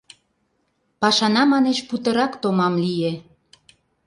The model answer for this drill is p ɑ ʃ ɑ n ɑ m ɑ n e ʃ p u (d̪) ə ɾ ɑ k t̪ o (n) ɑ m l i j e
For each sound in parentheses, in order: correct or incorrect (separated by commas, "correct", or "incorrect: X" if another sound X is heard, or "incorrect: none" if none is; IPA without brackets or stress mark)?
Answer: incorrect: t̪, incorrect: m